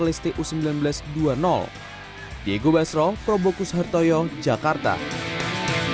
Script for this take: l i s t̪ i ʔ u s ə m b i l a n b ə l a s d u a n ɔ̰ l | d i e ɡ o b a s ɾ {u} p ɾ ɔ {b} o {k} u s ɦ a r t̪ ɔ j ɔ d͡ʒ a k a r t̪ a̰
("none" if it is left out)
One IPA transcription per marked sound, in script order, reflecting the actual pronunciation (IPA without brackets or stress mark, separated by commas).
ɔ, b, k